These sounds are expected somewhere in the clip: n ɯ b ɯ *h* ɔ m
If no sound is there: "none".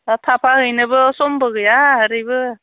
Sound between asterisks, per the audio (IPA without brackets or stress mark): s